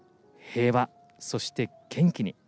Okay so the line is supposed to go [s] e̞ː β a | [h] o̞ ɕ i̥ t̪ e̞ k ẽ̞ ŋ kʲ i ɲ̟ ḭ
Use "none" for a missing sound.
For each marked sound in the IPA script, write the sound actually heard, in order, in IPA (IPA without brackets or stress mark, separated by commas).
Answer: h, s